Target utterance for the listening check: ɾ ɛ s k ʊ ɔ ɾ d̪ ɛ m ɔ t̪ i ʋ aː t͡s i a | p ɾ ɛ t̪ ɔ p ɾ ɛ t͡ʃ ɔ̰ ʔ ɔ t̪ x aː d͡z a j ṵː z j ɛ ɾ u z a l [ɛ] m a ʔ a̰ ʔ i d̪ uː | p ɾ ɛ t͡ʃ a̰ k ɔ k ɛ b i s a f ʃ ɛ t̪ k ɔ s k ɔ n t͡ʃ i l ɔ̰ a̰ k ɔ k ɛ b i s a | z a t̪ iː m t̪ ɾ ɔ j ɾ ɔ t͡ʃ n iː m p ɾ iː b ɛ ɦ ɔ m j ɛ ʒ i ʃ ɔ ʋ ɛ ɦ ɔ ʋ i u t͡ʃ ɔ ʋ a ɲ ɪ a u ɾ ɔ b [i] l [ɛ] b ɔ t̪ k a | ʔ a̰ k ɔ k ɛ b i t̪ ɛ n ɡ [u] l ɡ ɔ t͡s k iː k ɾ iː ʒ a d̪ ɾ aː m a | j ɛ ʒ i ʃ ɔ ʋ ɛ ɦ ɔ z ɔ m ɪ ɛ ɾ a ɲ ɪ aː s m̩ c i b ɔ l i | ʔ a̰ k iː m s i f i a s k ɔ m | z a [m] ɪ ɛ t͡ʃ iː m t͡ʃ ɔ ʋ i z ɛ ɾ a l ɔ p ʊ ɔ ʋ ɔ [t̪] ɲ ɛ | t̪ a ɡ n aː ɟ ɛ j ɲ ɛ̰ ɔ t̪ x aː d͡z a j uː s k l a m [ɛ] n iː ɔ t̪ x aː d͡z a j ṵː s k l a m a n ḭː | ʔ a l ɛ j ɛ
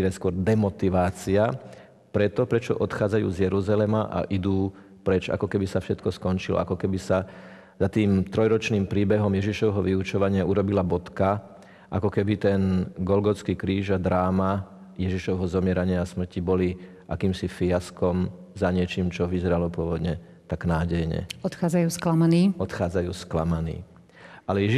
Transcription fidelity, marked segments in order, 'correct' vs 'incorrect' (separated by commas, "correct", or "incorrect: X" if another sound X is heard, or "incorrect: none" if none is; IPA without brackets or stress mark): correct, correct, incorrect: a, incorrect: ɔ, incorrect: ɲ, incorrect: d̪, incorrect: a